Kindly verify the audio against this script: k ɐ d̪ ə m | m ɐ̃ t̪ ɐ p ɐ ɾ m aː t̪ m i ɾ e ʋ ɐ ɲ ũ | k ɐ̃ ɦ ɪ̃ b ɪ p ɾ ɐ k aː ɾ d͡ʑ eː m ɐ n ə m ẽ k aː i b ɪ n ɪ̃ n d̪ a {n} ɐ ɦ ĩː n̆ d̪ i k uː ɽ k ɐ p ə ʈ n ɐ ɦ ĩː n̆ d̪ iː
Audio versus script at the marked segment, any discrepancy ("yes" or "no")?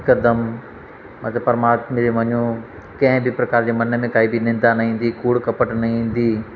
no